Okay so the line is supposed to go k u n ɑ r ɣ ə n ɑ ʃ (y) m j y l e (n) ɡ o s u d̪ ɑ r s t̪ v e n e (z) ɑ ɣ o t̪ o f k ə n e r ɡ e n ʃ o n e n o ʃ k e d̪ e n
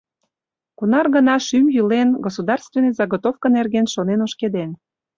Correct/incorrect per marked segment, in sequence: correct, correct, correct

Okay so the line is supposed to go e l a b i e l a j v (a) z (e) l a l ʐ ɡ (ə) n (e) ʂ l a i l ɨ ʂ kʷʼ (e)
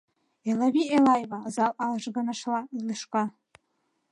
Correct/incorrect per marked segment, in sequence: correct, incorrect, incorrect, incorrect, incorrect

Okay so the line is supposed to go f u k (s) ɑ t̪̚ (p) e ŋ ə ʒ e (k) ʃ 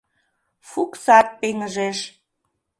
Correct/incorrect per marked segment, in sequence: correct, correct, incorrect

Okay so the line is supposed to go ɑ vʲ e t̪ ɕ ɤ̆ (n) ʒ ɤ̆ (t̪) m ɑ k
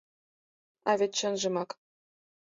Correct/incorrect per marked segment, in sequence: correct, incorrect

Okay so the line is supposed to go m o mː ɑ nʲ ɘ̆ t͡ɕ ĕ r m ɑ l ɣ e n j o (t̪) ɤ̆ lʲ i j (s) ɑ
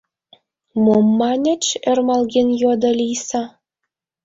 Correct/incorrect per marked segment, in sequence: incorrect, correct

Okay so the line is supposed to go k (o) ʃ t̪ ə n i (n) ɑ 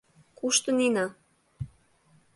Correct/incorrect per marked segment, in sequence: incorrect, correct

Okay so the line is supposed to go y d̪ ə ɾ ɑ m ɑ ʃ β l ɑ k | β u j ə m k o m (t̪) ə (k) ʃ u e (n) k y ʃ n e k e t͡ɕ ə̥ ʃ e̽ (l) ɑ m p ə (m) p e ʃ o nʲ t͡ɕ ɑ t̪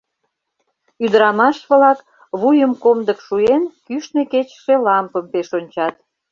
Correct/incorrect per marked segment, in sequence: incorrect, correct, correct, correct, correct

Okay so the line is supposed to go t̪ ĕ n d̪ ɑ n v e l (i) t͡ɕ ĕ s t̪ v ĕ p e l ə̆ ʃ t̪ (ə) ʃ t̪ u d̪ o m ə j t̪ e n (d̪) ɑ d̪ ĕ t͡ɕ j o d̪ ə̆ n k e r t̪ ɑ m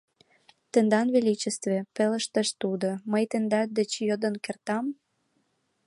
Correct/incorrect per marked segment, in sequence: correct, correct, correct

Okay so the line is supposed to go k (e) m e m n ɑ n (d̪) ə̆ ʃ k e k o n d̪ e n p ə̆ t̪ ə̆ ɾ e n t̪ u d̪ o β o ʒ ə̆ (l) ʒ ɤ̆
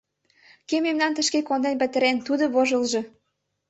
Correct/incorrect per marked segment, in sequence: correct, incorrect, correct

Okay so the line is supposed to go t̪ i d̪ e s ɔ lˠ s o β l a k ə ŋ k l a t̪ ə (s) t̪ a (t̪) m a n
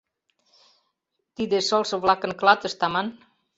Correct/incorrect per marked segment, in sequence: correct, incorrect

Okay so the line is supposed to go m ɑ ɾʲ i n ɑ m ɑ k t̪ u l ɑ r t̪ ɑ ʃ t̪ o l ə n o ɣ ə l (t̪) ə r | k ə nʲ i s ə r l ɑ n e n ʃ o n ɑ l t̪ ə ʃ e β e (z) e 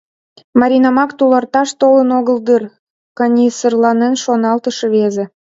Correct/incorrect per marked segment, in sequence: incorrect, correct

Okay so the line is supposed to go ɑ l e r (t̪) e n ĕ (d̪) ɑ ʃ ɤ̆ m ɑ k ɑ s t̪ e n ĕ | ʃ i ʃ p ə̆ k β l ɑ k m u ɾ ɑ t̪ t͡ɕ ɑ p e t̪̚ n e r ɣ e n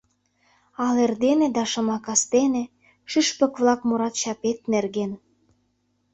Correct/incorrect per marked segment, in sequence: incorrect, correct

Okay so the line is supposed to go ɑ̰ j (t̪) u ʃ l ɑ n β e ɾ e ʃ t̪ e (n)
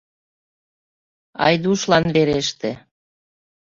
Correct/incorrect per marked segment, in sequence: incorrect, incorrect

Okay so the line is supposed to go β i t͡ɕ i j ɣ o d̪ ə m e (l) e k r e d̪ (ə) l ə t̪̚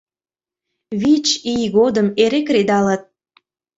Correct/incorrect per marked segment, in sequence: incorrect, incorrect

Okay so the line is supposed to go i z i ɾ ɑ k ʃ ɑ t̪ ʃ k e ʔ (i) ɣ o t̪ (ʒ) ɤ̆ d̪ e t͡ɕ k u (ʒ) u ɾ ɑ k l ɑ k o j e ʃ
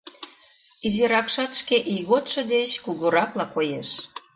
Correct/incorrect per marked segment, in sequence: correct, incorrect, incorrect

